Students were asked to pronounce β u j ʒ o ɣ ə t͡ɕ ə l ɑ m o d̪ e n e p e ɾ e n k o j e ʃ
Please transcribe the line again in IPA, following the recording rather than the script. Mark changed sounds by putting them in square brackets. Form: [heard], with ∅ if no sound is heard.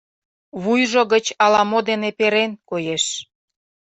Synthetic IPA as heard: β u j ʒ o ɣ ə t͡ɕ [ɑ] l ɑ m o d̪ e n e p e ɾ e n k o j e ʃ